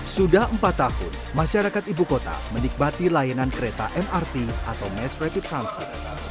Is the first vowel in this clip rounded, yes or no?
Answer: yes